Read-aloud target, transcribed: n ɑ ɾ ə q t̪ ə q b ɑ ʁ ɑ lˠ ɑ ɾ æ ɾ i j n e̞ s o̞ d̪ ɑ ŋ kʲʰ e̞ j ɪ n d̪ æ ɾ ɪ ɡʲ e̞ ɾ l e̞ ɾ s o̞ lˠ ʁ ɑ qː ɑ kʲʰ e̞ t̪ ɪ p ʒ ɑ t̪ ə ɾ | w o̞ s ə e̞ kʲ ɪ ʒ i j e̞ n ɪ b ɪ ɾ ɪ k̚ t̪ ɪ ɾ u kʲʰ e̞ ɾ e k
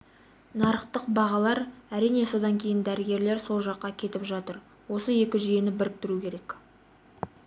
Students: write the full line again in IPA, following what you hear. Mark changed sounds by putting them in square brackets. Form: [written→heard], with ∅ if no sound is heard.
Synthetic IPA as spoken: n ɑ ɾ ə q t̪ ə q b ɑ ʁ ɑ lˠ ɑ ɾ æ ɾ i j n e̞ s o̞ d̪ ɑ ŋ kʲʰ e̞ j ɪ n d̪ æ ɾ ɪ ɡʲ e̞ ɾ l e̞ ɾ s o̞ lˠ [ʁ→ʒ] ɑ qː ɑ kʲʰ e̞ t̪ ɪ p ʒ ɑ t̪ ə ɾ | w o̞ s ə e̞ kʲ ɪ ʒ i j e̞ n ɪ b ɪ ɾ ɪ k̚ t̪ ɪ ɾ u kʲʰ e̞ ɾ e k